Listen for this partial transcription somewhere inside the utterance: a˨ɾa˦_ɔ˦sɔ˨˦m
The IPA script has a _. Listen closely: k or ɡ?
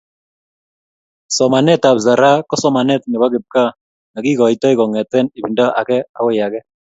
k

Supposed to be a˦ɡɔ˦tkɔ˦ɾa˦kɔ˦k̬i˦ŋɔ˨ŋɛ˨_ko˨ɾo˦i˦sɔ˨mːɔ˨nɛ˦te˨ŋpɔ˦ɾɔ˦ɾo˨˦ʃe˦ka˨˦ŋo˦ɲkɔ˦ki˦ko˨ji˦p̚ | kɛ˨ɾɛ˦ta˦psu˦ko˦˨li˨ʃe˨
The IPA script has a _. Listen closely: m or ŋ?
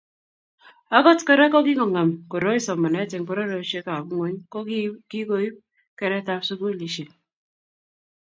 m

